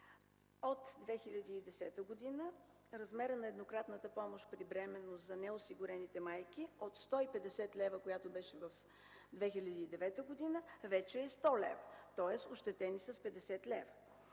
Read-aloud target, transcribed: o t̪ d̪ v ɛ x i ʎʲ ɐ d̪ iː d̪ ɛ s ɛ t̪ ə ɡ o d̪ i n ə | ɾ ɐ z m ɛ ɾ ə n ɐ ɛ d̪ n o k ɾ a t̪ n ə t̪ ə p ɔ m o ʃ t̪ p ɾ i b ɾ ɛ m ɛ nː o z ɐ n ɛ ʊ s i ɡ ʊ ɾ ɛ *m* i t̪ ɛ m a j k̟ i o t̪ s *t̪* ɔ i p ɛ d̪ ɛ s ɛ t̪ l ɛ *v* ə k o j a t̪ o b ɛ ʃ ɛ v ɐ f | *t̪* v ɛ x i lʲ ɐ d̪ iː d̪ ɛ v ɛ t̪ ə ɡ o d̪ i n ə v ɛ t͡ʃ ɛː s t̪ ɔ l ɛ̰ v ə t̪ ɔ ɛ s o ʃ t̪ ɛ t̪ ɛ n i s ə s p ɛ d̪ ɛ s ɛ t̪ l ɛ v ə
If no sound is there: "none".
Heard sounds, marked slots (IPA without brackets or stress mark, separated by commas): n, t̪, v, d̪